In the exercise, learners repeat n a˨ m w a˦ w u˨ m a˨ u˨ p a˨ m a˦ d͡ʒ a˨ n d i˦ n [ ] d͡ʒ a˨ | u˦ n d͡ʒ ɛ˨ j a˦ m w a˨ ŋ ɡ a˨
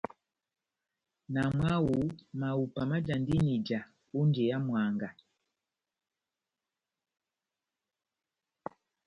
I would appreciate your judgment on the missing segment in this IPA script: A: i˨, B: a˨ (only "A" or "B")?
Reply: A